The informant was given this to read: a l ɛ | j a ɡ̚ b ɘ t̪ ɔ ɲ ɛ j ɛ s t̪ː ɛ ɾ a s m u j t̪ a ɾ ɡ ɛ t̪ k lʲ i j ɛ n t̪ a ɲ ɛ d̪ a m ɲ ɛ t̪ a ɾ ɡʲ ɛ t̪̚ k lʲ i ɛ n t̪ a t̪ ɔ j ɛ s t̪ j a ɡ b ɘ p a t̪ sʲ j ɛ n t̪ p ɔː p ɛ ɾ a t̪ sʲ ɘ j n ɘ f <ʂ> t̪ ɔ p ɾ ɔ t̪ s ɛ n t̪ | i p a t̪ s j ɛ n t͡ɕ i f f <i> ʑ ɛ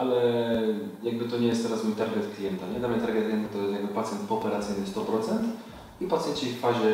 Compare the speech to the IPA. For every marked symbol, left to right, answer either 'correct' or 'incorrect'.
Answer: incorrect: s, incorrect: a

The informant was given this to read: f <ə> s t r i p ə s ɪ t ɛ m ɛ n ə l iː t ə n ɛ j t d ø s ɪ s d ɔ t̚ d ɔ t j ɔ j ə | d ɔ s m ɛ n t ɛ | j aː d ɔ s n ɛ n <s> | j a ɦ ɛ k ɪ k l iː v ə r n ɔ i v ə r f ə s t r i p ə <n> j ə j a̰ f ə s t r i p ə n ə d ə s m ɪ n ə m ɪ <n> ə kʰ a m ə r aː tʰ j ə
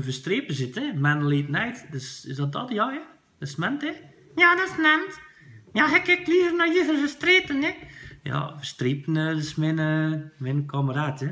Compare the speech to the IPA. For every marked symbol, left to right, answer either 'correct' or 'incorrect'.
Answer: correct, incorrect: t, correct, correct

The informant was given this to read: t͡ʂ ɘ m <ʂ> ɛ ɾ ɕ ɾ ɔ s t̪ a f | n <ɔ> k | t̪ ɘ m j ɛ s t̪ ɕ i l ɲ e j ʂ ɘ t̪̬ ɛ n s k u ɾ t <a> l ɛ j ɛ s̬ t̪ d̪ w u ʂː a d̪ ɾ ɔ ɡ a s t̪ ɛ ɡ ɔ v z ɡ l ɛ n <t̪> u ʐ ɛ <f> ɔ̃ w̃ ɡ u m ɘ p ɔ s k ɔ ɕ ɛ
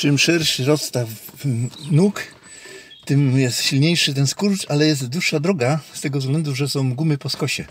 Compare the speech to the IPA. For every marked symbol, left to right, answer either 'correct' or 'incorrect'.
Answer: correct, incorrect: u, correct, incorrect: d̪, incorrect: s

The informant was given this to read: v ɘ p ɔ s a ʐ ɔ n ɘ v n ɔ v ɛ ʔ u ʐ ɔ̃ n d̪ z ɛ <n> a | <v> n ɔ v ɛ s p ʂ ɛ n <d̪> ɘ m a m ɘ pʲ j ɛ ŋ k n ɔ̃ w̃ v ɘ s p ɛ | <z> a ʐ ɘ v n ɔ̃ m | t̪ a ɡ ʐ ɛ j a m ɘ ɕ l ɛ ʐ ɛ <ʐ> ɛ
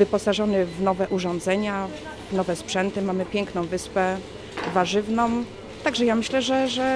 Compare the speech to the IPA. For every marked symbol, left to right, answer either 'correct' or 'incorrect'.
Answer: incorrect: ɲ, correct, incorrect: t̪, incorrect: v, correct

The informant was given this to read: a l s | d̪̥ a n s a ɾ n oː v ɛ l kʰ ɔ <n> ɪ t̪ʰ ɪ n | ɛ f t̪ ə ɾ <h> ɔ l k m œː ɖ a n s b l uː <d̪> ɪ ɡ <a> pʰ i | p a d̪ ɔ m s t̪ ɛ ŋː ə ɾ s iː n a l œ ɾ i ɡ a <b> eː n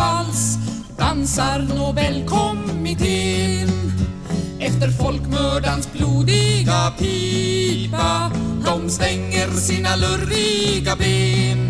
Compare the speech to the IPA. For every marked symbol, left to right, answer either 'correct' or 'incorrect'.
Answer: incorrect: m, incorrect: f, correct, correct, correct

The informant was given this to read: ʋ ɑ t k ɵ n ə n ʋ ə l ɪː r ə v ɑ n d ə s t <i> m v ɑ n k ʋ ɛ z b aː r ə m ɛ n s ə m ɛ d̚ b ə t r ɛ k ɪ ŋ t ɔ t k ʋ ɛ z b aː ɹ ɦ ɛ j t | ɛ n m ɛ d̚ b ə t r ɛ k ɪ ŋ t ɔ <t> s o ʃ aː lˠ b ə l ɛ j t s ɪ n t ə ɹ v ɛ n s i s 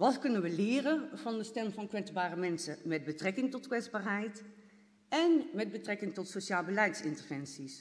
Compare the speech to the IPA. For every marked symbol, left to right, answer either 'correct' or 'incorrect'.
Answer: incorrect: ɛ, correct

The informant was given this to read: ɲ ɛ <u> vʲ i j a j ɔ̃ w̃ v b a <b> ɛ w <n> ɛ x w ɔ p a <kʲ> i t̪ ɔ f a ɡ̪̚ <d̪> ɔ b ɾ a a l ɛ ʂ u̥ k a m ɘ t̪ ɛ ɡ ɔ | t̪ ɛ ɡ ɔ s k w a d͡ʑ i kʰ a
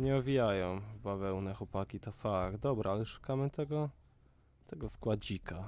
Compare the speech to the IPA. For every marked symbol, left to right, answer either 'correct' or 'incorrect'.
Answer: incorrect: ɔ, incorrect: v, correct, correct, correct

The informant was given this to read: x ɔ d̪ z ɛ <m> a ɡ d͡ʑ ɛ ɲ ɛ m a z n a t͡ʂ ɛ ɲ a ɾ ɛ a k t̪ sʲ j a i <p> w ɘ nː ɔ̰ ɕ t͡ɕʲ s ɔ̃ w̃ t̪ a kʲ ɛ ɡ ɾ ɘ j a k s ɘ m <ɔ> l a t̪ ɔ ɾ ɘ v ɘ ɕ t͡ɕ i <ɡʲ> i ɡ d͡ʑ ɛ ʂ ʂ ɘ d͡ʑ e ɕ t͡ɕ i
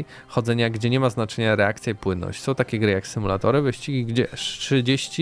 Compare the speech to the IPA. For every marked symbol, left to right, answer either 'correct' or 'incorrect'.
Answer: incorrect: ɲ, correct, incorrect: u, correct

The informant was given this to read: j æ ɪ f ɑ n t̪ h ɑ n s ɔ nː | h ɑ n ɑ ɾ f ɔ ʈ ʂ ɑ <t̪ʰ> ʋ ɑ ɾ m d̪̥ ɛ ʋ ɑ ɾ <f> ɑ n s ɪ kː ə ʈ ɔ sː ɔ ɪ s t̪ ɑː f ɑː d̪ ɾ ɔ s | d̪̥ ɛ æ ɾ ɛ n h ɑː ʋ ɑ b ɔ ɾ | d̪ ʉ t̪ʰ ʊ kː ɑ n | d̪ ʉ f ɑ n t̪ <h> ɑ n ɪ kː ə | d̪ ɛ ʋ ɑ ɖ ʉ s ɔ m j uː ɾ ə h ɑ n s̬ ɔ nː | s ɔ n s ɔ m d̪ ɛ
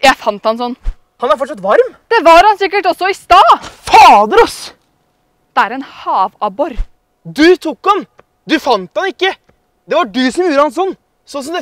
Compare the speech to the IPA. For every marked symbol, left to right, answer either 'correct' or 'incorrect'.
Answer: incorrect: t̪, incorrect: h, correct

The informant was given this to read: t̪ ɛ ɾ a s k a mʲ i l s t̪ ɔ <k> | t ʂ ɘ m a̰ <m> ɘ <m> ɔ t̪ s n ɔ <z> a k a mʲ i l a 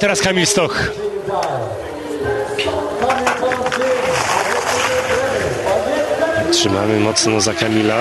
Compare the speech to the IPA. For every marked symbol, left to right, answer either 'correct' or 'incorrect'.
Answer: incorrect: x, correct, correct, correct

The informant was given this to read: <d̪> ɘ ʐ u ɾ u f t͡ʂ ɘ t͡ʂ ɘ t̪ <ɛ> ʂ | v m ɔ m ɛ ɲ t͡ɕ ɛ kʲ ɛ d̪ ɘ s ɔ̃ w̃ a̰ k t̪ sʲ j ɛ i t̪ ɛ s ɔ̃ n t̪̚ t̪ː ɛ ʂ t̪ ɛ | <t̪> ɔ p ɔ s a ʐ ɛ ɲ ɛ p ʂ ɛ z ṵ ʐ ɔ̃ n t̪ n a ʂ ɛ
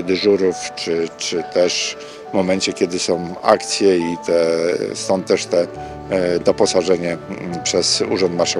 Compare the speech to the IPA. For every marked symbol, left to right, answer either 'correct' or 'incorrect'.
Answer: correct, correct, incorrect: d̪

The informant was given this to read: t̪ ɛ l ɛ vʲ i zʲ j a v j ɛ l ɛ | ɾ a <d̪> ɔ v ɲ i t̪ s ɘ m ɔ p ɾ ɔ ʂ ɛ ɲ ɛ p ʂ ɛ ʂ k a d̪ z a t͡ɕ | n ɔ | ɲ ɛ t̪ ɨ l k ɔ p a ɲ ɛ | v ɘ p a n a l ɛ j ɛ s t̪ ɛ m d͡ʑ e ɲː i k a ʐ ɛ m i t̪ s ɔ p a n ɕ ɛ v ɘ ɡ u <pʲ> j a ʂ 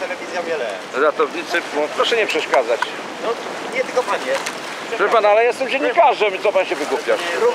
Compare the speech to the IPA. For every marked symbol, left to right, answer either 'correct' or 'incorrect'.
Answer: incorrect: t̪, correct

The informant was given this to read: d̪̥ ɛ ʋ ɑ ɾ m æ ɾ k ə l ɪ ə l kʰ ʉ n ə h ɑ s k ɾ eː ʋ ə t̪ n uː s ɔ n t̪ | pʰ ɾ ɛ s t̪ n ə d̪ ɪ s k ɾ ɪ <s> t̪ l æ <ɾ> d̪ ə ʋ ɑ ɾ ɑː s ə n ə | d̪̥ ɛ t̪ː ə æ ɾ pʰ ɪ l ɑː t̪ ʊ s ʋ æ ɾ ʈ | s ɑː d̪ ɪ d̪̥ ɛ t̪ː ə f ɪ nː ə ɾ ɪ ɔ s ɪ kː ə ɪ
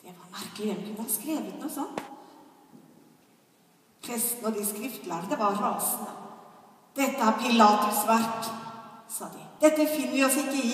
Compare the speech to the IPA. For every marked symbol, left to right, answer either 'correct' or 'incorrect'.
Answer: incorrect: f, correct

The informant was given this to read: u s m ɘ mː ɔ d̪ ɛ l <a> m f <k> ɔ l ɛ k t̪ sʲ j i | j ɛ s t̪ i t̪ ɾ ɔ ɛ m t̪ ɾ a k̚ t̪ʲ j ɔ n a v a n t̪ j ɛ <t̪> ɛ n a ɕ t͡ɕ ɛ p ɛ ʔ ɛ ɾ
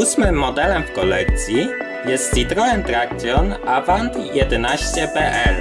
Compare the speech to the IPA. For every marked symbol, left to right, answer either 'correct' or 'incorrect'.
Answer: incorrect: ɛ, correct, incorrect: d̪

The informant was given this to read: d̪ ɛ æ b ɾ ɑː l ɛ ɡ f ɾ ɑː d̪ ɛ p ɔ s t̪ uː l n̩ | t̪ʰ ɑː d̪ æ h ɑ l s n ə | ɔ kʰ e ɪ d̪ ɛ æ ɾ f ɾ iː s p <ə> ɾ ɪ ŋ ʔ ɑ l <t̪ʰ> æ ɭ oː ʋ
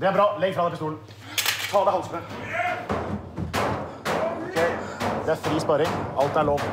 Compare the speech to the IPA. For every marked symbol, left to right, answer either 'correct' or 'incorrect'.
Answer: incorrect: ɑ, incorrect: t̪

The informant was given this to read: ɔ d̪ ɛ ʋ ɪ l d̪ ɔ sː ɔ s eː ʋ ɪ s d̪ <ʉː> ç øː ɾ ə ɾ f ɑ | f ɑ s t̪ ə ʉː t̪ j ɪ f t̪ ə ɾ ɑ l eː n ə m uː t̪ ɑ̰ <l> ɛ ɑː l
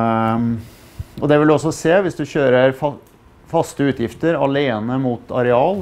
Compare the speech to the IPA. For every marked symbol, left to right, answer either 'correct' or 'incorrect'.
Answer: incorrect: ʉ, incorrect: ɾ

